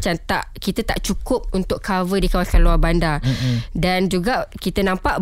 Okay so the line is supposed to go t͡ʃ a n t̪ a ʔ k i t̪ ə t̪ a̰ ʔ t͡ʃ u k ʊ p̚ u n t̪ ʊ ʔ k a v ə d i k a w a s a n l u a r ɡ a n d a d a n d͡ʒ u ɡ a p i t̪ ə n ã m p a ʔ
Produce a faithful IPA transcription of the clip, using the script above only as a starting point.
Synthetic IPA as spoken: t͡ʃ a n t̪ a ʔ k i t̪ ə t̪ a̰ ʔ t͡ʃ u k ʊ p̚ u n t̪ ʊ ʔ k a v ə d i k a w a s a n l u a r b a n d a d a n d͡ʒ u ɡ a k i t̪ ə n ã m p a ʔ